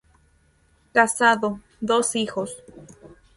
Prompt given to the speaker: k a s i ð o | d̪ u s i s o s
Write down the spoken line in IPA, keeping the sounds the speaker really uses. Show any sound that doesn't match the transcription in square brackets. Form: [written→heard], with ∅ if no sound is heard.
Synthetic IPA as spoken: k a s [i→a] ð o | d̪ [u→o] s i [s→x] o s